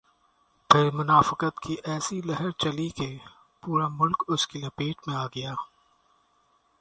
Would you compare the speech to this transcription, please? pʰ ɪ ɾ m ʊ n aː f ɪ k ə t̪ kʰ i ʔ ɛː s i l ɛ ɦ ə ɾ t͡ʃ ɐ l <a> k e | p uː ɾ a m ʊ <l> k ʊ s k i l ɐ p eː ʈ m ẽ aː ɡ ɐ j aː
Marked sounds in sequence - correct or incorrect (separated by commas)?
incorrect, correct